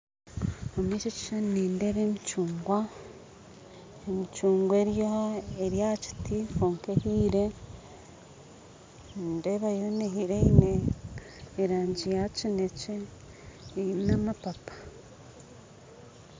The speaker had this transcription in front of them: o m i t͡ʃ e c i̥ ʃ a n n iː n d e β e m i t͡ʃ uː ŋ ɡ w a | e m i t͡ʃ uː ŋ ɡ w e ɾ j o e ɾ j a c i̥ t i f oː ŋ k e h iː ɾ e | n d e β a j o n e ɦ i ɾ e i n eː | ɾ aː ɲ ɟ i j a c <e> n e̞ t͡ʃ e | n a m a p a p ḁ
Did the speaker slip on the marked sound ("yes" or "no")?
yes